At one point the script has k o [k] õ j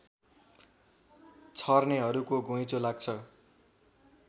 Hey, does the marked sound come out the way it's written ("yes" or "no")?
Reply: no